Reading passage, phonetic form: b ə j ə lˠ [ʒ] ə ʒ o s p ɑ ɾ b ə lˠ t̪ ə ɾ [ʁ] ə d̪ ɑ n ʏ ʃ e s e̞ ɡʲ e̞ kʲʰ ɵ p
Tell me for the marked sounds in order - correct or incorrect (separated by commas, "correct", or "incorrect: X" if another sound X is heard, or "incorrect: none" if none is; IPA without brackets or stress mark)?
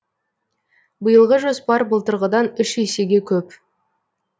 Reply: incorrect: ʁ, correct